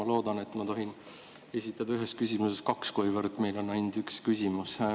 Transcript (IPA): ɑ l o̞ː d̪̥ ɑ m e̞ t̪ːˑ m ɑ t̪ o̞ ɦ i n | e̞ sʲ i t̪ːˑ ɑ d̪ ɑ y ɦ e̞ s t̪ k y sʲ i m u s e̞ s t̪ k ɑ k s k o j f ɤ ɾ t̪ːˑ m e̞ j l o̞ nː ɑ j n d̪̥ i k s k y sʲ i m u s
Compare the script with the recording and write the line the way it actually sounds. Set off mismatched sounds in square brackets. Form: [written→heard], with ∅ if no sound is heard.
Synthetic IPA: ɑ l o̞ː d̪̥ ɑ [m→n] e̞ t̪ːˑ m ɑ t̪ o̞ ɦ i n | e̞ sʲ i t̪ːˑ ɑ d̪ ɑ y ɦ e̞ s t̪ k y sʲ i m u s e̞ s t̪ k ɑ k s k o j [f→v] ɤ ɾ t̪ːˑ m e̞ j l o̞ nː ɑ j n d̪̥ [i→y] k s k y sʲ i m u s